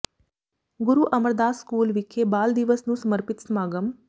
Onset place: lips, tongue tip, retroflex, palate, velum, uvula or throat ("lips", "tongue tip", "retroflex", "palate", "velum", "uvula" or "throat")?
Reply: velum